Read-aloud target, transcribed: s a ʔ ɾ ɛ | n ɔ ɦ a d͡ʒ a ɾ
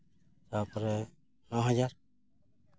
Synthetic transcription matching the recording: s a p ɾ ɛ | n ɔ ɦ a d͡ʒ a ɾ